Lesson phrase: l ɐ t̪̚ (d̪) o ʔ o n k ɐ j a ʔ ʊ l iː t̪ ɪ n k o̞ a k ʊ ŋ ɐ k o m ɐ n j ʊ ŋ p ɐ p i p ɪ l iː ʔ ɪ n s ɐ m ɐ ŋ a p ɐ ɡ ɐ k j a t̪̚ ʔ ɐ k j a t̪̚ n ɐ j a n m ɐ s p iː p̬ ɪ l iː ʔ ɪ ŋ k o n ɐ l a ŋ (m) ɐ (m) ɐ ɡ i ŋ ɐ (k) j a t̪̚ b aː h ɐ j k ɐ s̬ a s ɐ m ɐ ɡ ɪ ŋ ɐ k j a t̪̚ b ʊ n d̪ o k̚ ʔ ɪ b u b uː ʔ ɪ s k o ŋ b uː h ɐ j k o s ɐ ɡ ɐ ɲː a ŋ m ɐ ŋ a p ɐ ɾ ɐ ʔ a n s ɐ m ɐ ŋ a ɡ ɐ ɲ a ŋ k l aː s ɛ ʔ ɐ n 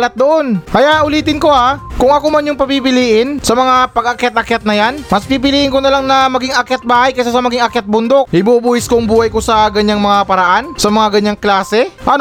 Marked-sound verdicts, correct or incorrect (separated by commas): correct, incorrect, correct, correct